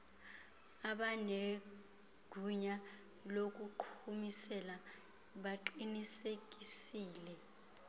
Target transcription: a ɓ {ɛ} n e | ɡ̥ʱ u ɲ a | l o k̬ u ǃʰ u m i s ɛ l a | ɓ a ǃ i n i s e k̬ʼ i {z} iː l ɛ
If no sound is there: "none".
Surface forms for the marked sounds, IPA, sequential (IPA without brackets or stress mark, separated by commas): a, s